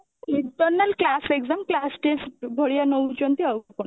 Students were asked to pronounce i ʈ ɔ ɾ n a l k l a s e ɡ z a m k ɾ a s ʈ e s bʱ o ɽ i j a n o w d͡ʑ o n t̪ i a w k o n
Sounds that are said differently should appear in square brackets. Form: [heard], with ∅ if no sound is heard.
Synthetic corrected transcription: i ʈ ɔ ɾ n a l k l a s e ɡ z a m k [l] a s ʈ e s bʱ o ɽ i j a n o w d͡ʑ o n t̪ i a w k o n